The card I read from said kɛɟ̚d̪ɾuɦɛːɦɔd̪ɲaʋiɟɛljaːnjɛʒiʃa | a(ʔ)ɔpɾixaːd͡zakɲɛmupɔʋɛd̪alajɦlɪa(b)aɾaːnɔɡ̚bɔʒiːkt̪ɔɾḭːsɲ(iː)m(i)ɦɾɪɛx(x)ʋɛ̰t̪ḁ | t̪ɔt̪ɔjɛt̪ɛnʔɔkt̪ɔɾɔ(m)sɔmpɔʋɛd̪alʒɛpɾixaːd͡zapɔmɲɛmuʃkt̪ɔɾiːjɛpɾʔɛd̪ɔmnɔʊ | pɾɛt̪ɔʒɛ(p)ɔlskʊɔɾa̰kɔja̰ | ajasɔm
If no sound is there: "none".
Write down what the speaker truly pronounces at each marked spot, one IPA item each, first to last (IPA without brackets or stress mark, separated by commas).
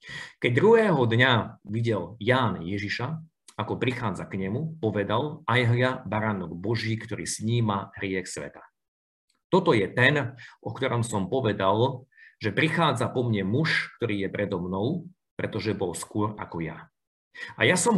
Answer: k, b, iː, a, s, m, b